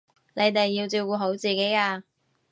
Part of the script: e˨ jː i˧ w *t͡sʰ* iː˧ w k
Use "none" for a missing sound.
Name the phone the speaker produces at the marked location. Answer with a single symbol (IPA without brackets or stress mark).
t͡s